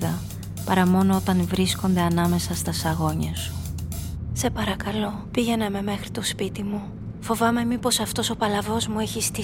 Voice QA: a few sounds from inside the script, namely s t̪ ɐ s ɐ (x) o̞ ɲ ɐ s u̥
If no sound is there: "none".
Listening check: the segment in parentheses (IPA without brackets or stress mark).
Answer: ɣ